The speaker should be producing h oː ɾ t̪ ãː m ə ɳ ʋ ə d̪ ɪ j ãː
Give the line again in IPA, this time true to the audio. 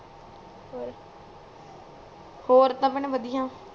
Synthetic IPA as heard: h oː ɾ t̪ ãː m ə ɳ ʋ ə d̪ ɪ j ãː